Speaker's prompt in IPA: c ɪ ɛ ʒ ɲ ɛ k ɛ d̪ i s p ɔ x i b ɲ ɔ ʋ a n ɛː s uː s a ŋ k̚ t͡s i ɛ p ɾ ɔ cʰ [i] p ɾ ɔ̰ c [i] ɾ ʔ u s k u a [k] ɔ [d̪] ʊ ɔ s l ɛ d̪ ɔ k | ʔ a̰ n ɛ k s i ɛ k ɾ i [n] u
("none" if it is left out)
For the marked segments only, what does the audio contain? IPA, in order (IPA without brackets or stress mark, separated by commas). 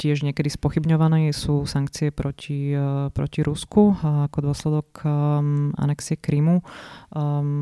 i, i, k, d̪, m